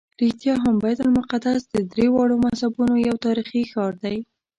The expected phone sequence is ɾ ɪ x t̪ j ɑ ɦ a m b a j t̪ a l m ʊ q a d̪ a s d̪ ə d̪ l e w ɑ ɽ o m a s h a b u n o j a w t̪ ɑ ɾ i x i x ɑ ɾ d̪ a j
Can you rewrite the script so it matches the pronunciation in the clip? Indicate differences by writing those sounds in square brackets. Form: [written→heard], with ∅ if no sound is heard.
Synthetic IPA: ɾ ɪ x t̪ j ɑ ɦ a m b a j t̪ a l m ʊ q a d̪ a s d̪ ə d̪ [l→ɾ] e w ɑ ɽ o m a s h a b u n o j a w t̪ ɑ ɾ i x i x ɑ ɾ d̪ a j